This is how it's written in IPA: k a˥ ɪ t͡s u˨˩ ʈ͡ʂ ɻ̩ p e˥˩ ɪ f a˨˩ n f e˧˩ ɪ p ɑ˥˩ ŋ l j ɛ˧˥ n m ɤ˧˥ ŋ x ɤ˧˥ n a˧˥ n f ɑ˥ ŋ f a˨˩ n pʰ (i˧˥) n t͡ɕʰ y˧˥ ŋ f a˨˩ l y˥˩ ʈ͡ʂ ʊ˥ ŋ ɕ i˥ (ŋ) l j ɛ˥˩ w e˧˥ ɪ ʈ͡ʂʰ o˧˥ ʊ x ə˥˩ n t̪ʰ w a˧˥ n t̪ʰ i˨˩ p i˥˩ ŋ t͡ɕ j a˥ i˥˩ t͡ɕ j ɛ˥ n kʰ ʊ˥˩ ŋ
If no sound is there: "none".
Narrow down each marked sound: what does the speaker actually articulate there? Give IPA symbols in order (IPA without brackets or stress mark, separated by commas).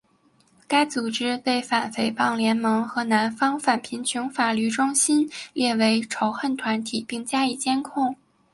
i˧˥, n